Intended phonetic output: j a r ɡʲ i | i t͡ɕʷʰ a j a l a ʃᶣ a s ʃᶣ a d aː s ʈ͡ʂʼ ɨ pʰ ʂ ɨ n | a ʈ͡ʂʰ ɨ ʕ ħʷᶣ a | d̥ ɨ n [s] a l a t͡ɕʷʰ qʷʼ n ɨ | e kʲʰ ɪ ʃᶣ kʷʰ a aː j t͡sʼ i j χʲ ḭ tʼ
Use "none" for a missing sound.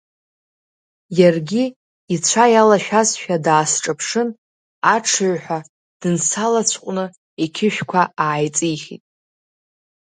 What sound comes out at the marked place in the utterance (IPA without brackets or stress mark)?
s